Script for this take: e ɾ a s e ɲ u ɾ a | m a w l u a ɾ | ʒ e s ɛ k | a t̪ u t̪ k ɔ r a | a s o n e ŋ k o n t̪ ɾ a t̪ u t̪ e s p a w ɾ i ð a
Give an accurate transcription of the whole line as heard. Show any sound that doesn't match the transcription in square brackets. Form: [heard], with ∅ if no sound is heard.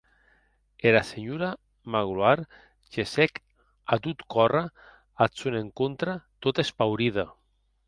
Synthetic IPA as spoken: e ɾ a s e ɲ u ɾ a | m a [ɣ] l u a ɾ | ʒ e s ɛ k | a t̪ u t̪ k ɔ r a | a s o n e ŋ k o n t̪ ɾ a t̪ [o] t̪ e s p a w ɾ i ð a